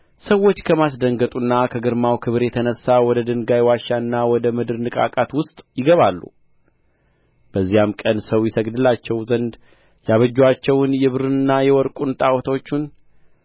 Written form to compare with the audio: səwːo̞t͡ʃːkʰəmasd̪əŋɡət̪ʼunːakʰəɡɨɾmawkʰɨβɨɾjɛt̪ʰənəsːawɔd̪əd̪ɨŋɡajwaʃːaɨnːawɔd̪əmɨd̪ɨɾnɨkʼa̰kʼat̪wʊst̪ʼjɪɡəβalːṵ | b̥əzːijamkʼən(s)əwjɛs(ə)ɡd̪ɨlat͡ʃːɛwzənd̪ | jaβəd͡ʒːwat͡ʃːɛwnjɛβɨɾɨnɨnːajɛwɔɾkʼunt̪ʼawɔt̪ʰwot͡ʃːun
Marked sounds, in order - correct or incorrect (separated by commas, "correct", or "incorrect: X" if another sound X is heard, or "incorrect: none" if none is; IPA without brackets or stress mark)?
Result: correct, correct